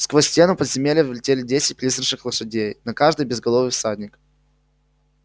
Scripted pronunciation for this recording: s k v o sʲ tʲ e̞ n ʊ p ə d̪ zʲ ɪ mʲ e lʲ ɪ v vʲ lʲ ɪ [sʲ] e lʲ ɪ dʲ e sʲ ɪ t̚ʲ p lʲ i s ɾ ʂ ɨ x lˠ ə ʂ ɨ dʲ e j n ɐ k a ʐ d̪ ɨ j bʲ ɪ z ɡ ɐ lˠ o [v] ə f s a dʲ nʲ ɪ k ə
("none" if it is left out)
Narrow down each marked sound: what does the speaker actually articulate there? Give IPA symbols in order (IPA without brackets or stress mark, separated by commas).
tʲ, v